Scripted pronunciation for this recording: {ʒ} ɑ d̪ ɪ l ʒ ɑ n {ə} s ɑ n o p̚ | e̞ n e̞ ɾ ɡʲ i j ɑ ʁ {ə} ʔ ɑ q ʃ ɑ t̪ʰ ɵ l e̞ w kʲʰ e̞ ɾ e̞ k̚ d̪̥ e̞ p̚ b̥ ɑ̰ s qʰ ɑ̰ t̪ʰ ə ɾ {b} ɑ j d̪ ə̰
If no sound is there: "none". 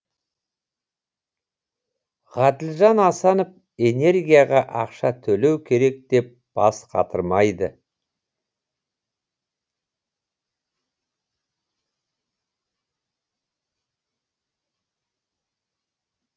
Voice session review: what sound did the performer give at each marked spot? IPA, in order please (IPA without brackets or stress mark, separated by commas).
ʁ, ɑ, ɑ, m